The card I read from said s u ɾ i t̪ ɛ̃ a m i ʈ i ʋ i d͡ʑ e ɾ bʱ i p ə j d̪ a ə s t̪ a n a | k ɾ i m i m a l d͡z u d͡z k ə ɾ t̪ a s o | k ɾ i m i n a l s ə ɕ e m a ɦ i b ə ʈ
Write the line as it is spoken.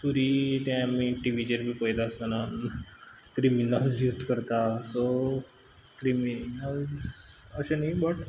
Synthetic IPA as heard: s u ɾ i t̪ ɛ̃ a m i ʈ i ʋ i d͡ʑ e ɾ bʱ i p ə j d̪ a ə s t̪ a n a | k ɾ i m i n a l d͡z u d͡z k ə ɾ t̪ a s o | k ɾ i m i n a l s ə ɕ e n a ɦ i b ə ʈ